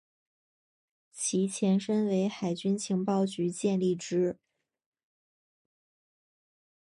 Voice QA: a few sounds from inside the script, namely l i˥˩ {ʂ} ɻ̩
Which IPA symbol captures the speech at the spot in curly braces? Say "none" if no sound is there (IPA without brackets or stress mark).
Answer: ʈ͡ʂ